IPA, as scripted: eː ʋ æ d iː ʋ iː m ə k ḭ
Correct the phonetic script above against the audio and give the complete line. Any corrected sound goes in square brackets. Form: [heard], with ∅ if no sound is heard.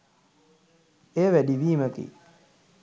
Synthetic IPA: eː ʋ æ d [i] ʋ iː m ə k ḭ